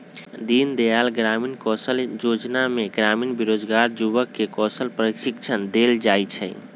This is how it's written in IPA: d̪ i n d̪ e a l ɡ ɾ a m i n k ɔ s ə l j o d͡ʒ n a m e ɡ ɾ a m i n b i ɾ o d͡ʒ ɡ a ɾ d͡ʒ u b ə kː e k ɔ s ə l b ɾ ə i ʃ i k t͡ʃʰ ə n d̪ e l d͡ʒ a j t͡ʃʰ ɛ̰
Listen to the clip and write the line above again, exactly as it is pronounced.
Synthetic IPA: d̪ i n d̪ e a l ɡ ɾ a m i n k ɔ s ə l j o d͡ʒ n a m e ɡ ɾ a m i n b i ɾ o d͡ʒ ɡ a ɾ d͡ʒ u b ə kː e k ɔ s ə l p ɾ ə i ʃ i k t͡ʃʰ ə n d̪ e l d͡ʒ a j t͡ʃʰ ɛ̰